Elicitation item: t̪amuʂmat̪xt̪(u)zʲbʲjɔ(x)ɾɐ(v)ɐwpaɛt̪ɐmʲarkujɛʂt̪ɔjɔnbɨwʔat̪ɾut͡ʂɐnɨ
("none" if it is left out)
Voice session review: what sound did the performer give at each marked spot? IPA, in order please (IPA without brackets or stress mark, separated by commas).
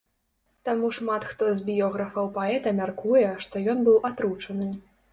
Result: ɔ, ɣ, f